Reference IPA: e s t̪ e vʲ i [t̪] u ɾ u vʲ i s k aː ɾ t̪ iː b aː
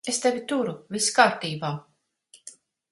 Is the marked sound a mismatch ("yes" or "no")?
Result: no